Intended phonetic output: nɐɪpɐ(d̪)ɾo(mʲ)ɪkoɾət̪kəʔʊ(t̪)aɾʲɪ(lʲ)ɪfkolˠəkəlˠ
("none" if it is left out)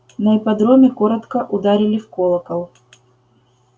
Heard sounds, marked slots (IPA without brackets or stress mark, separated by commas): d̪, mʲ, d̪, lʲ